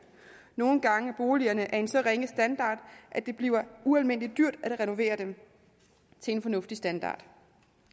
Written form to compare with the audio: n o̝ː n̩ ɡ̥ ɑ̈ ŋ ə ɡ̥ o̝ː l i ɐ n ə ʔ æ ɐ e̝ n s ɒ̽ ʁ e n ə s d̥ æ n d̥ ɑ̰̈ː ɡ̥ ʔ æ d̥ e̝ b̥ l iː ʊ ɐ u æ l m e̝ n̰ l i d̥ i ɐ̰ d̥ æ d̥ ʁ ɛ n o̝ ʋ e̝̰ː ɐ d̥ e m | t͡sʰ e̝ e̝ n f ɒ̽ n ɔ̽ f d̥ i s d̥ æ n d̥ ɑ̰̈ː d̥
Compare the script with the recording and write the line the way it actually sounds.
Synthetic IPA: n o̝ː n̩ ɡ̥ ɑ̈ ŋ ə b̥ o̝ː l i ɐ n ə ʔ æ ɐ e̝ n s ɒ̽ ʁ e ŋ ə s d̥ æ n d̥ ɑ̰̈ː d̥ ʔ æ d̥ e̝ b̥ l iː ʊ ɐ u æ l m e̝ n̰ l i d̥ y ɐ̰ d̥ æ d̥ ʁ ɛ n o̝ ʋ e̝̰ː ɐ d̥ e m | t͡sʰ e̝ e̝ n f ɒ̽ n ɔ̽ f d̥ i s d̥ æ n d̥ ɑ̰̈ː d̥